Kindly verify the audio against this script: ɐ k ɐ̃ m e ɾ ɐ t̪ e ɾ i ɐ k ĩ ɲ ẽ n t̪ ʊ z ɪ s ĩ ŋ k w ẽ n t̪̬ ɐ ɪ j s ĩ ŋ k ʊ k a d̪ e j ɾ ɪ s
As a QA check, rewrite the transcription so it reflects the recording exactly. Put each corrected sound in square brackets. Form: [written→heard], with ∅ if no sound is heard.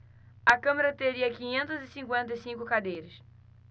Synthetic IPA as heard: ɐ k ɐ̃ m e ɾ ɐ t̪ e ɾ i ɐ k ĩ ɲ ẽ n t̪ ʊ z ɪ s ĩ ŋ k w ẽ n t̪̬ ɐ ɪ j s ĩ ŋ k ʊ k a d̪ e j ɾ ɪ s